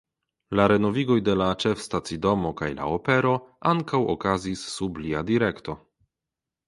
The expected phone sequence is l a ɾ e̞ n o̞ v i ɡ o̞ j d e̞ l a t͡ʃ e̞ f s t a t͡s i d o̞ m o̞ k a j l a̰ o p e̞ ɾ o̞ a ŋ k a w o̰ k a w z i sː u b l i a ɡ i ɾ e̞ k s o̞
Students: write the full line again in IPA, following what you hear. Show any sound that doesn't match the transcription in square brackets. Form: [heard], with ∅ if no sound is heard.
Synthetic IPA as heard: l a ɾ e̞ n o̞ v i ɡ o̞ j d e̞ l a t͡ʃ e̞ f s t a t͡s i d o̞ m o̞ k a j l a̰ o p e̞ ɾ o̞ a ŋ k a w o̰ k a [∅] z i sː u b l i a [d] i ɾ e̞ k [t] o̞